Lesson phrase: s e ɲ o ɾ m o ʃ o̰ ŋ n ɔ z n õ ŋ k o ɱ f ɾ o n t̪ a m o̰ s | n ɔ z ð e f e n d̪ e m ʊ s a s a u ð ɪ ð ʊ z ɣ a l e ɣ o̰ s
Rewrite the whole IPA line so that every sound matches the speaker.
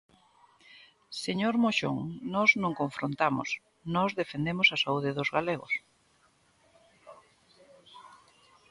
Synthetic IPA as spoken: s e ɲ o ɾ m o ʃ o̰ ŋ n ɔ z n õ ŋ k o ɱ f ɾ o n t̪ a m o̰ s | n ɔ z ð e f e n d̪ e m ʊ s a s a u ð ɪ ð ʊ z ɣ a l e ɣ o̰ s

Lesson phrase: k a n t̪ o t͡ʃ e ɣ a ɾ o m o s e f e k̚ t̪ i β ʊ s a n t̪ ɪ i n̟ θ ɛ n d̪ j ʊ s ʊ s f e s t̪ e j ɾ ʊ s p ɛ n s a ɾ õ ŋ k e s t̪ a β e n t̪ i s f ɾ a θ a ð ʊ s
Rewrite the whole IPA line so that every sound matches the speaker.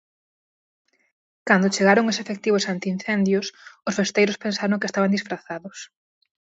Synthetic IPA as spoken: k a n d̪ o t͡ʃ e ɣ a ɾ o ŋ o s e f e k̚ t̪ i β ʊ s a n t̪ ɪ i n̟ θ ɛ n d̪ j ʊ s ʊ s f e s t̪ e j ɾ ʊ s p e n s a ɾ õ ŋ k e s t̪ a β a n d̪ i s f ɾ a θ a ð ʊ s

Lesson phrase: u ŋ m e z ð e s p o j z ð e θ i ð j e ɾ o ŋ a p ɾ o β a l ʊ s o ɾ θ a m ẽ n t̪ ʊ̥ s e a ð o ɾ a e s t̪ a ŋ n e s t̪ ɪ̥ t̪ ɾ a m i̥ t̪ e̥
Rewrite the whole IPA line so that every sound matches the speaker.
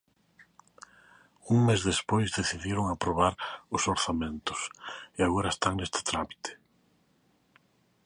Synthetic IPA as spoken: u ŋ m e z ð e s p o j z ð e θ i ð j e ɾ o ŋ a p ɾ o β a ɾ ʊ s o ɾ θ a m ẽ n t̪ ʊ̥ s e a ɣ o ɾ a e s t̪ a ŋ n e s t̪ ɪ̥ t̪ ɾ a m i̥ t̪ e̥

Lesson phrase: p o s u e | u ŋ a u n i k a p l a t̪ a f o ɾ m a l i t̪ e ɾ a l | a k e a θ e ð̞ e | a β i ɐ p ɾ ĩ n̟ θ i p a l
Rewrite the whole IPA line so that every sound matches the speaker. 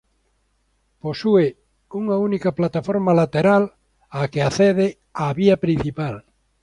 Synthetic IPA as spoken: p o s u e | u ŋ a u n i k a p l a t̪ a f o ɾ m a l a t̪ e ɾ a l | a k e a θ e ð̞ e | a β i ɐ p ɾ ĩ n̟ θ i p a l

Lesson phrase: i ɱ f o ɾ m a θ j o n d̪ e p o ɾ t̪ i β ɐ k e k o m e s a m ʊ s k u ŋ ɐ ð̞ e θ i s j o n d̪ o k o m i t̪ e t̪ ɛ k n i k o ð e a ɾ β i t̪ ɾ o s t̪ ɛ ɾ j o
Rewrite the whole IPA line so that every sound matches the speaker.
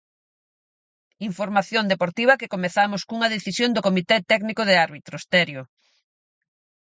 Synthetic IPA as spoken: i ɱ f o ɾ m a θ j o n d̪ e p o ɾ t̪ i β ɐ k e k o m e θ a m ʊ s k u ŋ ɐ ð̞ e θ i s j o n d̪ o k o m i t̪ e t̪ ɛ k n i k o ð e a ɾ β i t̪ ɾ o s t̪ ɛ ɾ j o

